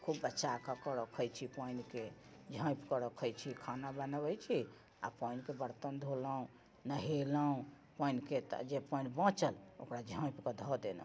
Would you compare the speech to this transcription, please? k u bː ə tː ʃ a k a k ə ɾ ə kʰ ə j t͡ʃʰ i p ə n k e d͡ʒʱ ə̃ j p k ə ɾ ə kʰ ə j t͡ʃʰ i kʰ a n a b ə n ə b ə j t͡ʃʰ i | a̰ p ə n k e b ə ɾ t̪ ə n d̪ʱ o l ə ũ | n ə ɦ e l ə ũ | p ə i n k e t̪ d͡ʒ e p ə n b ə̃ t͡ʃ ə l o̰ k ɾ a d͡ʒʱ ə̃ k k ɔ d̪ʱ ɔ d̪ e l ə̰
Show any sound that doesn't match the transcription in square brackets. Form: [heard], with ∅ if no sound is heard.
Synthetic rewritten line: [kʰ] u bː ə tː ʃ a k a k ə ɾ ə kʰ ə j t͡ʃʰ i p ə n k e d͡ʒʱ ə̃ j p k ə ɾ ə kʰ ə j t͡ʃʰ i kʰ a n a b ə n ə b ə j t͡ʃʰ i | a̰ p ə n k e b ə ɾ t̪ ə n d̪ʱ o l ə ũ | n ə ɦ e l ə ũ | p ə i n k e t̪ d͡ʒ e p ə n b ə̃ t͡ʃ ə l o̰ k ɾ a d͡ʒʱ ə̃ [p] k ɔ d̪ʱ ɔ d̪ e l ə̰

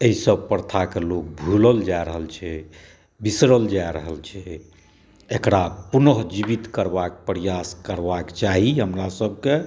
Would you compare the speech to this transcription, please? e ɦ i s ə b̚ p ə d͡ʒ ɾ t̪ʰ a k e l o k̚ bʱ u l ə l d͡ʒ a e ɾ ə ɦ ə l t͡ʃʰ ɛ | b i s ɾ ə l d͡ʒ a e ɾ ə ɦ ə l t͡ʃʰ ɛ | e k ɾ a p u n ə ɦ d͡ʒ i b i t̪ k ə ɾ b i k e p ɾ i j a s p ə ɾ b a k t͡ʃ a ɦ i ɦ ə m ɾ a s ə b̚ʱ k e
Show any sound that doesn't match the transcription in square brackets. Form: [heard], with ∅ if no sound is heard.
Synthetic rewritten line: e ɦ i s ə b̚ p ə [∅] ɾ t̪ʰ a k e l o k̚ bʱ u l ə l d͡ʒ a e ɾ ə ɦ ə l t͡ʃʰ ɛ | b i s ɾ ə l d͡ʒ a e ɾ ə ɦ ə l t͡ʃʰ ɛ | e k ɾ a p u n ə ɦ d͡ʒ i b i t̪ k ə ɾ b [a] k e p ɾ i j a s [k] ə ɾ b a k t͡ʃ a ɦ i ɦ ə m ɾ a s ə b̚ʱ k e

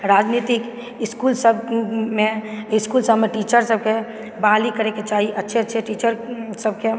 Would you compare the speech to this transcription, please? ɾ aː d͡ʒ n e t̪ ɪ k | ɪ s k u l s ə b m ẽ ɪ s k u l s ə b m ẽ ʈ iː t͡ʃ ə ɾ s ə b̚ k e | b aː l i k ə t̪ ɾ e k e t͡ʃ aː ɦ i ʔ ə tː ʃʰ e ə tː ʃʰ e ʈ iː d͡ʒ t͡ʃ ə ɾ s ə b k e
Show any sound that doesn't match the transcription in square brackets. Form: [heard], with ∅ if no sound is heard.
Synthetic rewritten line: ɾ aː d͡ʒ n [i] t̪ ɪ k | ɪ s k u l s ə b m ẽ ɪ s k u l s ə b m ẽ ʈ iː t͡ʃ ə ɾ s ə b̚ k e | b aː l i k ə [∅] ɾ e k e t͡ʃ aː ɦ i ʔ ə tː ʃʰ e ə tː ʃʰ e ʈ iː [∅] t͡ʃ ə ɾ s ə b k e

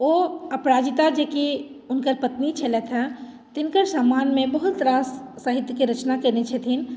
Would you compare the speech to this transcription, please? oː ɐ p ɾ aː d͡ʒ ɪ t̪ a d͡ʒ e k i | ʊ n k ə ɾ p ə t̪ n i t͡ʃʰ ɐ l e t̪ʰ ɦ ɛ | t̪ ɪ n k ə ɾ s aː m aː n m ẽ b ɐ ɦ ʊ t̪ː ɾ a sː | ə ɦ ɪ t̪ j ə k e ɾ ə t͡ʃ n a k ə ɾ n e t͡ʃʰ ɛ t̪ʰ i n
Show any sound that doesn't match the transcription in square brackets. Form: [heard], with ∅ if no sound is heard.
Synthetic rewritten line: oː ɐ p ɾ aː d͡ʒ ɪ t̪ a d͡ʒ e k i | ʊ n k ə ɾ p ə t̪ n i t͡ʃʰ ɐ l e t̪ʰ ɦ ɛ | t̪ ɪ n k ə ɾ s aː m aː n m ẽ b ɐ ɦ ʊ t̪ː ɾ a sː | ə ɦ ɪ t̪ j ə k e ɾ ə t͡ʃ n a k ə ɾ n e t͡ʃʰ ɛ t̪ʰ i n

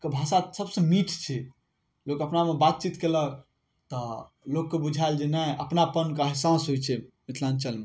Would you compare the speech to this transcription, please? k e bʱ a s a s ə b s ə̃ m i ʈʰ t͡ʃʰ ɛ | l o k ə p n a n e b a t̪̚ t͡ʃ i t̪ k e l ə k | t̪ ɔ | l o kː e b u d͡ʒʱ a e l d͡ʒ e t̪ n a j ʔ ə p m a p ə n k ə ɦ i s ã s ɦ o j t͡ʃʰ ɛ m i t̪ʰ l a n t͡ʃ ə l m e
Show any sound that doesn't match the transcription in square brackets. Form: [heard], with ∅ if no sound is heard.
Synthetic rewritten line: k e bʱ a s a s ə b s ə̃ m i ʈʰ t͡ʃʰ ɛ | l o k ə p n a [m] e b a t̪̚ t͡ʃ i t̪ k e l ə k | t̪ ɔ | l o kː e b u d͡ʒʱ a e l d͡ʒ e [∅] n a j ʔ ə p [n] a p ə n k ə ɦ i s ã s ɦ o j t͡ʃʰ ɛ m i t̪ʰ l a n t͡ʃ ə l m e

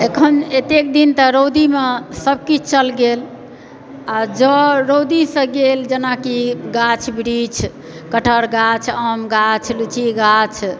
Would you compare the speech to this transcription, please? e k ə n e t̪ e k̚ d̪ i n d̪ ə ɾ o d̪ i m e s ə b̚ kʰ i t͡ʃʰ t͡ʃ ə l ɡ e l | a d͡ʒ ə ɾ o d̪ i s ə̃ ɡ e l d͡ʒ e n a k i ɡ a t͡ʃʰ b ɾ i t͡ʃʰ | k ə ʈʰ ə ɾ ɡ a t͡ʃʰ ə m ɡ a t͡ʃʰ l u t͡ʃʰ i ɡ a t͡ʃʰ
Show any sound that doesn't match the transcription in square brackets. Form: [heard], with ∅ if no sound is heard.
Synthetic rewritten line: e [kʰ] ə n e t̪ e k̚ d̪ i n [t̪] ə ɾ o d̪ i m e s ə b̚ [k] i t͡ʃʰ t͡ʃ ə l ɡ e l | a d͡ʒ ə ɾ o d̪ i s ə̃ ɡ e l d͡ʒ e n a k i ɡ a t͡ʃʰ b ɾ i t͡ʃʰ | k ə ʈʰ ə ɾ ɡ a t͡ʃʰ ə m ɡ a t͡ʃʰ l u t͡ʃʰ i ɡ a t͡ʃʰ

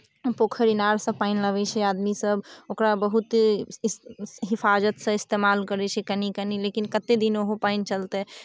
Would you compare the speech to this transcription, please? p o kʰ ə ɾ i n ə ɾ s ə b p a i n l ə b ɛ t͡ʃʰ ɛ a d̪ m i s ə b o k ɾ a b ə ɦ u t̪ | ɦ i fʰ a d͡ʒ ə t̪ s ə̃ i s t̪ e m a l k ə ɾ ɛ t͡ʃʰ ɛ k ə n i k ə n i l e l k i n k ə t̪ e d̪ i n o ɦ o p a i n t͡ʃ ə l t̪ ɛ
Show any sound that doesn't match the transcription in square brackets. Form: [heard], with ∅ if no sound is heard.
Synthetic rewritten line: p o kʰ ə ɾ i n [a] ɾ s ə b p a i n l ə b ɛ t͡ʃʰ ɛ a d̪ m i s ə b o k ɾ a b ə ɦ u t̪ | ɦ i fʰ a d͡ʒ ə t̪ s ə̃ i s t̪ e m a l k ə ɾ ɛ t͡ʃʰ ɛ k ə n i k ə n i l e [∅] k i n k ə t̪ e d̪ i n o ɦ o p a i n t͡ʃ ə l t̪ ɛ

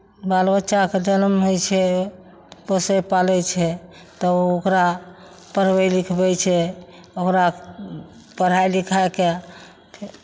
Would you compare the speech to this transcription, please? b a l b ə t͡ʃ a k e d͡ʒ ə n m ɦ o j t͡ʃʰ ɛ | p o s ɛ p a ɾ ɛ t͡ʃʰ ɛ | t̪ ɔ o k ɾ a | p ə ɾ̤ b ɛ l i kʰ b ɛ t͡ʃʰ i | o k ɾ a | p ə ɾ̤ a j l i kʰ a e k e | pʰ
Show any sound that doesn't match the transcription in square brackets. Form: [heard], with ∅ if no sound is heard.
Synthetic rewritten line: b a l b ə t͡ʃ a k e d͡ʒ ə n m ɦ o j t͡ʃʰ ɛ | p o s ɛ p a [l] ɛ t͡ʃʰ ɛ | t̪ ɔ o k ɾ a | p ə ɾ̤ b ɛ l i kʰ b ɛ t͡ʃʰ [ɛ] | o k ɾ a | p ə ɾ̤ a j l i kʰ a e k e | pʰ

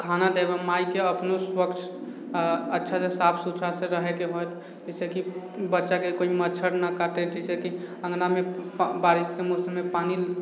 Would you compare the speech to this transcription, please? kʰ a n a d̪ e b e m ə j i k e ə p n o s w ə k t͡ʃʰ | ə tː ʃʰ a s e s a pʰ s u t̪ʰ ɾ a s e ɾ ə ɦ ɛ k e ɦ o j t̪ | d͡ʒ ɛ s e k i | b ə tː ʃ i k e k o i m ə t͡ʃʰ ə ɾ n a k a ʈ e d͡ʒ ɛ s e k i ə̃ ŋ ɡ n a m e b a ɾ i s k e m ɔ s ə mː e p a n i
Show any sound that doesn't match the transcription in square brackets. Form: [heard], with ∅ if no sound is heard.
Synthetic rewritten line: kʰ a n a d̪ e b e m [a] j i k e ə p n o s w ə k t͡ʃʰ | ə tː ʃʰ a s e s a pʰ s u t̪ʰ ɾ a s e ɾ ə ɦ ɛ k e ɦ o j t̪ | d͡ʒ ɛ s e k i | b ə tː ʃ [a] k e k o i m ə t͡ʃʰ ə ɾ n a k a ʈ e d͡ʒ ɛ s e k i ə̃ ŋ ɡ n a m e b a ɾ i s k e m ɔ s ə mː e p a n i

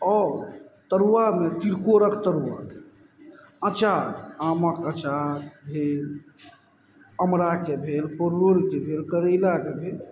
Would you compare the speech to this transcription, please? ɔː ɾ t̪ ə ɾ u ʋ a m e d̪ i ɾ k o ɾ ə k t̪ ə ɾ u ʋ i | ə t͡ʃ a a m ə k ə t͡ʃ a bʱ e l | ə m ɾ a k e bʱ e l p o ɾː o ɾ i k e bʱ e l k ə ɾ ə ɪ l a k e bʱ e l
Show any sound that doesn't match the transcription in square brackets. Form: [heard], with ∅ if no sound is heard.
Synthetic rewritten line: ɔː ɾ t̪ ə ɾ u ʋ a m e [t̪] i ɾ k o ɾ ə k t̪ ə ɾ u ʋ [a] | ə t͡ʃ a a m ə k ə t͡ʃ a bʱ e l | ə m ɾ a k e bʱ e l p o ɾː o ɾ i k e bʱ e l k ə ɾ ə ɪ l a k e bʱ e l

